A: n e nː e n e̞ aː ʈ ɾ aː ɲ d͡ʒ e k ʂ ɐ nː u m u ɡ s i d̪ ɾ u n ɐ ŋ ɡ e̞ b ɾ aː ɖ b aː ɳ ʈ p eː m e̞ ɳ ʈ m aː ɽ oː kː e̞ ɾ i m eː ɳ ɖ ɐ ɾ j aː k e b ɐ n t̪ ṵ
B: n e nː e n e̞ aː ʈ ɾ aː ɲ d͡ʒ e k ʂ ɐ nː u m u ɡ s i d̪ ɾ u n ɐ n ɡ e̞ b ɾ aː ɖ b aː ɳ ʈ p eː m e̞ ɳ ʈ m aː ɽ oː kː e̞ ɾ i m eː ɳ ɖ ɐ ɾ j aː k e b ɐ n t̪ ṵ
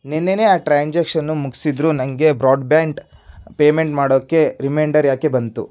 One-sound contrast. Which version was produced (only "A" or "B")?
A